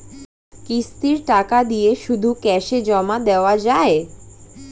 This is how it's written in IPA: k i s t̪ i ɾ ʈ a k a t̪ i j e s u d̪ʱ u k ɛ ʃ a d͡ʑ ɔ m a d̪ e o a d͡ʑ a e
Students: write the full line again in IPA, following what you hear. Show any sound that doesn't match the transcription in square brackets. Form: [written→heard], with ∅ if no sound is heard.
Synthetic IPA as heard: k i s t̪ i ɾ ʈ a k a [t̪→d̪] i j e [s→ʃ] u d̪ʱ u k ɛ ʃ [a→e] d͡ʑ ɔ m a d̪ e o a d͡ʑ a e